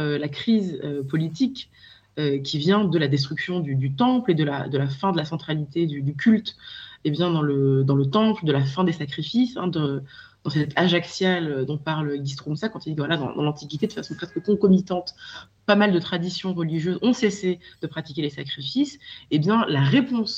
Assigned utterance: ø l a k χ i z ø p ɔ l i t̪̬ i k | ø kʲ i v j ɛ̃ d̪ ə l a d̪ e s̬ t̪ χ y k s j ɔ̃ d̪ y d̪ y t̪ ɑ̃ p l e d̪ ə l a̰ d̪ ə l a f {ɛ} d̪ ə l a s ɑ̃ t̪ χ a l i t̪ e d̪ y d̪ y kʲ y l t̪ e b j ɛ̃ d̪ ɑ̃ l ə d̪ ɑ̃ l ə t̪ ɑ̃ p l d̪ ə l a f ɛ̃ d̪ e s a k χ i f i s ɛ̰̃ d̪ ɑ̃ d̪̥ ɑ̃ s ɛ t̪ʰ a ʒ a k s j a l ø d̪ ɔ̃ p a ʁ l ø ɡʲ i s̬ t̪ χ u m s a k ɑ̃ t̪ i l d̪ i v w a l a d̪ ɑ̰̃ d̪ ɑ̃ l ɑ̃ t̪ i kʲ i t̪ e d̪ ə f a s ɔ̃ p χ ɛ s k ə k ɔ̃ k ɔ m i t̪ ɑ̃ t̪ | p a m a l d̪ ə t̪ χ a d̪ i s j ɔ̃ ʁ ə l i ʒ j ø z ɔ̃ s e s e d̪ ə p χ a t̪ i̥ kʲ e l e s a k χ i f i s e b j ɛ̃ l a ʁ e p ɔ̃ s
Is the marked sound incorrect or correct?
incorrect